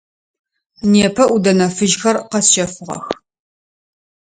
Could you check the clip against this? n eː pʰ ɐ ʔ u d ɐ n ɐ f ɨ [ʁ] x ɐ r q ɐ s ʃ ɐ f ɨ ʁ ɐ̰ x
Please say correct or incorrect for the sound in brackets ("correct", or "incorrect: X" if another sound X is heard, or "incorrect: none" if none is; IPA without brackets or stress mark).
incorrect: ʒ